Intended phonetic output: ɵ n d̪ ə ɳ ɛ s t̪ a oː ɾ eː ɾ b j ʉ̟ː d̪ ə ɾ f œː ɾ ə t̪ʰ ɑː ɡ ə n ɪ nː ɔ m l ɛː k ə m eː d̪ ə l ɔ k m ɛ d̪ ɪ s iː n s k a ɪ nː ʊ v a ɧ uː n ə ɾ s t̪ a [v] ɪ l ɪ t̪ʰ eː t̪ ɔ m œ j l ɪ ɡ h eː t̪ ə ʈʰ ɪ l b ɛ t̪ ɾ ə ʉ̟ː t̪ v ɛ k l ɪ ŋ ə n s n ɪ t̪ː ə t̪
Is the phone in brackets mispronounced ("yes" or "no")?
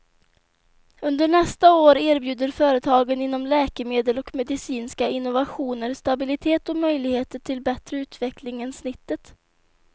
yes